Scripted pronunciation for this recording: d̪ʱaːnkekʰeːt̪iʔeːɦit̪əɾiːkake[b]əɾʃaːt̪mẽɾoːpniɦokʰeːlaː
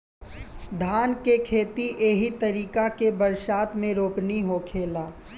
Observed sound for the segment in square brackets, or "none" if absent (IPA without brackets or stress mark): b